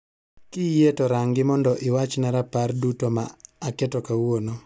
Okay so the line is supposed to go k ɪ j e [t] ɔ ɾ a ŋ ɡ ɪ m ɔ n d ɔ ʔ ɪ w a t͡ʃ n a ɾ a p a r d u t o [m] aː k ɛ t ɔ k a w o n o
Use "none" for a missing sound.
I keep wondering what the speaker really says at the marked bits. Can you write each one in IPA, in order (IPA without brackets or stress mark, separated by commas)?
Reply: t, m